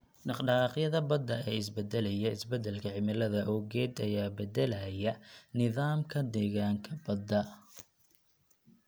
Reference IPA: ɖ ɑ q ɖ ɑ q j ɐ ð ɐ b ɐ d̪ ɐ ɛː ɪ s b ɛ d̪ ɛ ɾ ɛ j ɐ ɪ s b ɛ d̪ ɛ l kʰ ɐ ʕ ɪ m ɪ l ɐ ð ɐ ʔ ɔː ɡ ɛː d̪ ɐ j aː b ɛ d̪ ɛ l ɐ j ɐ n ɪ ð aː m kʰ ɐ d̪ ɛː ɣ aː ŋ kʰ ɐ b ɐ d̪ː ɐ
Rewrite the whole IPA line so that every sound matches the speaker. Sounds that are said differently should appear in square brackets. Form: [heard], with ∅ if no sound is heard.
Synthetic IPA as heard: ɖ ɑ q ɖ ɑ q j ɐ ð ɐ b ɐ d̪ ɐ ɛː ɪ s b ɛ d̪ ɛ [l] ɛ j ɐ ɪ s b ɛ d̪ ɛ l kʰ ɐ ʕ ɪ m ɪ l ɐ ð ɐ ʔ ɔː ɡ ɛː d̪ ɐ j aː b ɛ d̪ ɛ l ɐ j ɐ n ɪ ð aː m kʰ ɐ d̪ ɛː ɣ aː ŋ kʰ ɐ b ɐ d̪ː ɐ

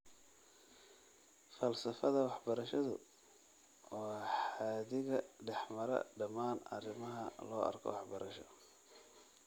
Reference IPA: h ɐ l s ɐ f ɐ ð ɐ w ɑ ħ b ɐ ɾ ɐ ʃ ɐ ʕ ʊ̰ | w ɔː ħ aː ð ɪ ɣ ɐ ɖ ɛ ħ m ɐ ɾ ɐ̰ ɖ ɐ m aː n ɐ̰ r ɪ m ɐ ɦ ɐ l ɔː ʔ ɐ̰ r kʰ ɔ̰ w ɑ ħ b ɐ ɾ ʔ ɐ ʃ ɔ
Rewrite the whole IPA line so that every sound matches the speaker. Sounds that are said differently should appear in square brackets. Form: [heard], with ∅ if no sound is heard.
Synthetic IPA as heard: [f] ɐ l s ɐ f ɐ ð ɐ w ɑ ħ b ɐ ɾ ɐ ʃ ɐ [ð] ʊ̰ | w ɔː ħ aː ð ɪ ɣ ɐ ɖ ɛ ħ m ɐ ɾ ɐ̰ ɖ ɐ m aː n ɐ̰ r ɪ m ɐ ɦ ɐ l ɔː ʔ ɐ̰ r kʰ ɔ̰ w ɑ ħ b ɐ ɾ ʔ ɐ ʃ ɔ

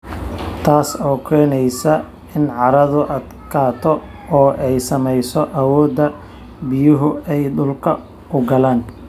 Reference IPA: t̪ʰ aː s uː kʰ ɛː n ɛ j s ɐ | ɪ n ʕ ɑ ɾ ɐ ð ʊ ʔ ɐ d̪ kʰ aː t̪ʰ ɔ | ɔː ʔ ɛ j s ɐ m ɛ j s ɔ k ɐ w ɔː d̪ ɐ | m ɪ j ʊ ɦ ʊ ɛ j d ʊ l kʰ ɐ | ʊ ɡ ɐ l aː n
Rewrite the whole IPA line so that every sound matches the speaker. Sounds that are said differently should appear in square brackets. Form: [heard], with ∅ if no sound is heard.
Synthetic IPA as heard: t̪ʰ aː s [ɔː] kʰ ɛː n ɛ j s ɐ | ɪ n ʕ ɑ ɾ ɐ ð ʊ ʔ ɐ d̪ kʰ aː t̪ʰ ɔ | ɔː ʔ ɛ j s ɐ m ɛ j s ɔ [ʔ] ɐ w ɔː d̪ ɐ | [b] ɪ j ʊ ɦ ʊ ɛ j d ʊ l kʰ ɐ | ʊ ɡ ɐ l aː n

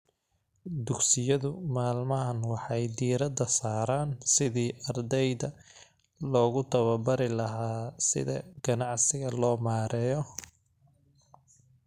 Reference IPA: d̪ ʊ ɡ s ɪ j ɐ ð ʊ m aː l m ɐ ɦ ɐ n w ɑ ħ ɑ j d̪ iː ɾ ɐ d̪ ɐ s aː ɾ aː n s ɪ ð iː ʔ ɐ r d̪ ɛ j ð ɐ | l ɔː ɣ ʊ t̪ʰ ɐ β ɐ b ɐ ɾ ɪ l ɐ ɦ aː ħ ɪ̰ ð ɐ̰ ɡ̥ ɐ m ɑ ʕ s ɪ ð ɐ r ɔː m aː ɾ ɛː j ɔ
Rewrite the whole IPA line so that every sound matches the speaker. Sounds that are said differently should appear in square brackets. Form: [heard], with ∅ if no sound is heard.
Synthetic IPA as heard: d̪ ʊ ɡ s ɪ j ɐ ð ʊ m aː l m ɐ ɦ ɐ n w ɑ ħ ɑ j d̪ iː ɾ ɐ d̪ ɐ s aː ɾ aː n s ɪ ð iː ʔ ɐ r d̪ ɛ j ð ɐ | l ɔː ɣ ʊ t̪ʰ ɐ β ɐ b ɐ ɾ ɪ l ɐ ɦ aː [s] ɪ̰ ð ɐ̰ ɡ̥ ɐ [n] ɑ ʕ s ɪ [ɣ] ɐ [l] ɔː m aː ɾ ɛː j ɔ

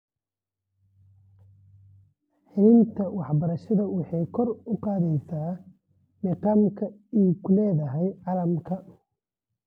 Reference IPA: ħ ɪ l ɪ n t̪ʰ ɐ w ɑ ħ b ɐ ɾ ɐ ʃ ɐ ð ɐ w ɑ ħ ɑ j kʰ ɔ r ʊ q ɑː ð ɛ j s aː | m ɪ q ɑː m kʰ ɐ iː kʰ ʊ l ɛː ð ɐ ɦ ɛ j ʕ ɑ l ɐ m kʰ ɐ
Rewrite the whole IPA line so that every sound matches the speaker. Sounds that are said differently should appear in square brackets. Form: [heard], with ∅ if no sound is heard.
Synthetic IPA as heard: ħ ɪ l ɪ n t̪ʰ ɐ w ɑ ħ b ɐ ɾ ɐ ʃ ɐ ð ɐ w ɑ ħ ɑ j kʰ ɔ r ʊ q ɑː ð ɛ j s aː | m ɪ q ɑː m kʰ ɐ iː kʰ ʊ l ɛː ð ɐ ɦ ɛ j ʕ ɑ l ɐ m kʰ ɐ

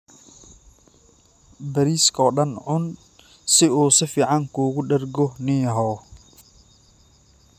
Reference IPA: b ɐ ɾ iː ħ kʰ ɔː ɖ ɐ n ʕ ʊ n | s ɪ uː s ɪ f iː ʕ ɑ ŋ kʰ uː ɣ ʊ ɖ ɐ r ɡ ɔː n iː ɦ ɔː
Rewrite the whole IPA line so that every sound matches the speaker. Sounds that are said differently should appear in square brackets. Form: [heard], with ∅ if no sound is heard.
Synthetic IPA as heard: b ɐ ɾ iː [s] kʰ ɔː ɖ ɐ n ʕ ʊ n | s ɪ uː s ɪ f iː ʕ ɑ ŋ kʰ uː ɣ ʊ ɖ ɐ r ɡ [ɔ] n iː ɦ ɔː

